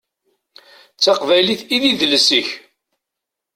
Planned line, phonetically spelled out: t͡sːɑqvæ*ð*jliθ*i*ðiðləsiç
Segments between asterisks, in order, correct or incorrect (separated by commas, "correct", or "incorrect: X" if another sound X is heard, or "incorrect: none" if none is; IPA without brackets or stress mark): incorrect: none, correct